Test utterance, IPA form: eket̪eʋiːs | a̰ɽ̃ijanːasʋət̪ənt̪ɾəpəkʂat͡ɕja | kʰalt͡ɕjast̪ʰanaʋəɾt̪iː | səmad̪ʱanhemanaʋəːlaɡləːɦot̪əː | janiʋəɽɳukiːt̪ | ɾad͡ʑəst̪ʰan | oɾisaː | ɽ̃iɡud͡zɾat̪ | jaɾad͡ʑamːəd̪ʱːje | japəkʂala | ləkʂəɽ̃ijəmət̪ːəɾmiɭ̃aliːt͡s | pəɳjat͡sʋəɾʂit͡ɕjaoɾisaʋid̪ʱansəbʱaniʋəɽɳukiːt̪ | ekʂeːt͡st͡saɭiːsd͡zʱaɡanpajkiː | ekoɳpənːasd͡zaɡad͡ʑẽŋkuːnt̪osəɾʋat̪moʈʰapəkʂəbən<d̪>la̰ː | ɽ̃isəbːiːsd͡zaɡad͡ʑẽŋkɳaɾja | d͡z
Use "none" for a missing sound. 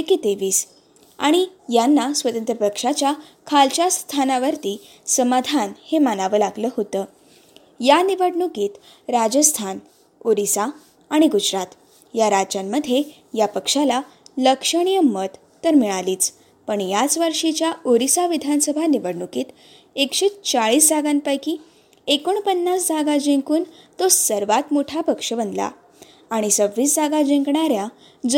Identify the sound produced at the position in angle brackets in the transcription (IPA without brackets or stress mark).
d̪